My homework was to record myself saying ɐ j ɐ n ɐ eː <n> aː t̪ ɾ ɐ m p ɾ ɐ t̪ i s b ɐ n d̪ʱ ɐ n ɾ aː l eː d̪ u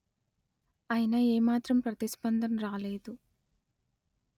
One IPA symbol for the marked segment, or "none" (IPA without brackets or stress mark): m